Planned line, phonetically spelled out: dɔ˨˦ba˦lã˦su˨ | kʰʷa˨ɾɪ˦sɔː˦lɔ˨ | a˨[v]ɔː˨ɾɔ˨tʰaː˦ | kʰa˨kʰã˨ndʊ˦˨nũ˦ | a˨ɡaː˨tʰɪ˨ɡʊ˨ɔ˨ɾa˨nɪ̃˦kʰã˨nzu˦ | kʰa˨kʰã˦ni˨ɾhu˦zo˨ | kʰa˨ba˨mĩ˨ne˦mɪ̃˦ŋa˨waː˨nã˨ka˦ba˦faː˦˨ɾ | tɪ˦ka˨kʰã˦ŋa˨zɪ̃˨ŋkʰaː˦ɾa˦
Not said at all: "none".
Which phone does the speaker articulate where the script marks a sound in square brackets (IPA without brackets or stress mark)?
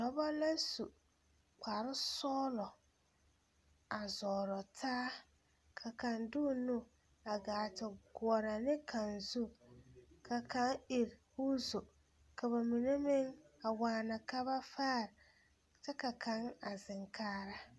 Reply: z